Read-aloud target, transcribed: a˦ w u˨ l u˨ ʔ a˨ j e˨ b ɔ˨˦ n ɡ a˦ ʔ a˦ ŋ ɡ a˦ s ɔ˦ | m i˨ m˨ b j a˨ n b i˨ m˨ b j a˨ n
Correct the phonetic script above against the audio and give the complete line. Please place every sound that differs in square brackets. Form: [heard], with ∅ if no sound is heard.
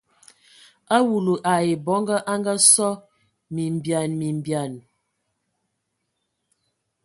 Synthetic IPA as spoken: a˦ w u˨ l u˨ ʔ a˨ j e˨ b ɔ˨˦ [ŋ] ɡ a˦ ʔ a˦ ŋ ɡ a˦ s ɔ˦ | m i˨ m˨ b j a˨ n [m] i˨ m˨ b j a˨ n